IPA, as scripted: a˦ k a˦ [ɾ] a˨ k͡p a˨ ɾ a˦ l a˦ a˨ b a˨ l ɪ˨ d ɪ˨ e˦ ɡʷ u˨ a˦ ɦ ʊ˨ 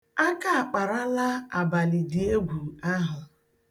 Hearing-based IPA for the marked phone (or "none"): none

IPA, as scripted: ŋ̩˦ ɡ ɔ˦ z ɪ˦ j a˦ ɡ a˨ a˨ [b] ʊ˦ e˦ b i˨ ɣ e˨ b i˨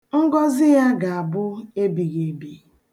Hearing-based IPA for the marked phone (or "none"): b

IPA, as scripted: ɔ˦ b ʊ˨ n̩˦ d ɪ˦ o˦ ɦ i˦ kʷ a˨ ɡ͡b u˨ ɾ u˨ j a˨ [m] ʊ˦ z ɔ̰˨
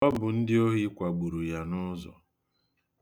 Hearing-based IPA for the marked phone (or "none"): n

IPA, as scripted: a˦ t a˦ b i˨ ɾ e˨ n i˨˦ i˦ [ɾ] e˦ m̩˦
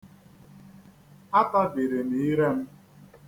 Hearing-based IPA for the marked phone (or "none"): ɾ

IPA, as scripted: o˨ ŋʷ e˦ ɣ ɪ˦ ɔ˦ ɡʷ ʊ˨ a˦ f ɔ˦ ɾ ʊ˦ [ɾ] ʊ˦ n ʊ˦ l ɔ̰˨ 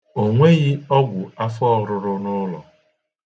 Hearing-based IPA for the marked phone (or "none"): ɾ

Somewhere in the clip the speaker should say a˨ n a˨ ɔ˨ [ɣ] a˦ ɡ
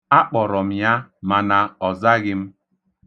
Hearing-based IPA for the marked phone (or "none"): z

